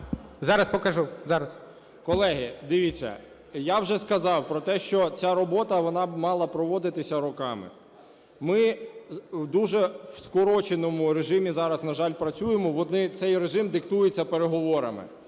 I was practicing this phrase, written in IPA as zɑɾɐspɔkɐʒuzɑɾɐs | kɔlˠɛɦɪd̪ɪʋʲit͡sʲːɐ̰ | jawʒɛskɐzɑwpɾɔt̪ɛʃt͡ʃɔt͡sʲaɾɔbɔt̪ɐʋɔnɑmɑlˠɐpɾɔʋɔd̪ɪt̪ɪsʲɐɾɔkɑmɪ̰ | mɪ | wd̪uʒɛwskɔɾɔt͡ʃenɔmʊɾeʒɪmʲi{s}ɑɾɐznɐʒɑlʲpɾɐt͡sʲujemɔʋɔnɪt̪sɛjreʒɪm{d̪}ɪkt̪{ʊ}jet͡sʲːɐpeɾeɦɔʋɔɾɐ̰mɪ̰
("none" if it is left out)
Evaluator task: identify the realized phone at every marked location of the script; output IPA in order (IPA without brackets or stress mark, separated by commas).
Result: z, d̪, u